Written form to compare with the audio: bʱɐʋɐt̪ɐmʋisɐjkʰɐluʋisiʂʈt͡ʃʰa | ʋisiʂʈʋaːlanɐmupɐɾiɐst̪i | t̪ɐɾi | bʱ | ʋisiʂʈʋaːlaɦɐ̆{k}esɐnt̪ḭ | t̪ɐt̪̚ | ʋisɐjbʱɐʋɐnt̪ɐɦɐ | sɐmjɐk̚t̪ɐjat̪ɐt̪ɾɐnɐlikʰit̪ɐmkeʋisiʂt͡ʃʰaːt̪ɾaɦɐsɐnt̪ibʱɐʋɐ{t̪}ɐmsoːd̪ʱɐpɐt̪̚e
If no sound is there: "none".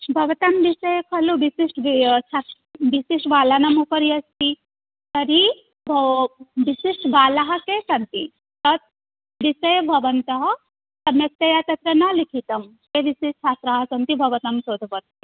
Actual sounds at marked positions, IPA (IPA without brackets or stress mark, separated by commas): k, t̪